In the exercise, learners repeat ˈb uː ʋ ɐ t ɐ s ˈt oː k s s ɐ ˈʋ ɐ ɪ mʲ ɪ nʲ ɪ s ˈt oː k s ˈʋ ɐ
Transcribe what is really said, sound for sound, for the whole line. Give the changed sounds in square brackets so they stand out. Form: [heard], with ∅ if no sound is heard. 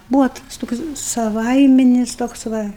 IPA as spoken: ˈb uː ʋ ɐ t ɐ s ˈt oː k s s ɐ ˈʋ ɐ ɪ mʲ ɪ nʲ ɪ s ˈt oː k s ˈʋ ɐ